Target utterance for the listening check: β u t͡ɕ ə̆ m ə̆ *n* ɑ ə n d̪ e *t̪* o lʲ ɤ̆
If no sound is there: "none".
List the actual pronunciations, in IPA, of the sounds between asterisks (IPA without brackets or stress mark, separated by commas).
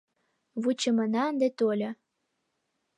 n, t̪